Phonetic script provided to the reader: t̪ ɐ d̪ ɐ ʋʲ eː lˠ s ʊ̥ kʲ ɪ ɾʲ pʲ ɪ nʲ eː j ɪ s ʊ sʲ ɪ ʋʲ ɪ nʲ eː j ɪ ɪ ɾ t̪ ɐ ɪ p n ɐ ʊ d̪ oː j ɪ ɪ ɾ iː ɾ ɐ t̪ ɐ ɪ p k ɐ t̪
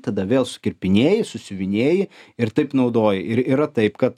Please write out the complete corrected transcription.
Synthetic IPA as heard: t̪ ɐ d̪ ɐ ʋʲ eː lˠ s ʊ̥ kʲ ɪ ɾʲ pʲ ɪ nʲ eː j ɪ s ʊ sʲ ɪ ʋʲ ɪ nʲ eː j ɪ ɪ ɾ t̪ ɐ ɪ p n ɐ ʊ d̪ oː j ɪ ɪ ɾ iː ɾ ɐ t̪ ɐ ɪ p k ɐ t̪